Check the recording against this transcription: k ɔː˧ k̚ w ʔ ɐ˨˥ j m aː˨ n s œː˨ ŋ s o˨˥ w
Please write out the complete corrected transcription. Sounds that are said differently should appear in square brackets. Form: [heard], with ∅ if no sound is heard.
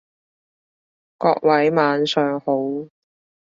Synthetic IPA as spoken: k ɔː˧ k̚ w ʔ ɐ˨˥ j m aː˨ n s œː˨ ŋ [h] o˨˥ w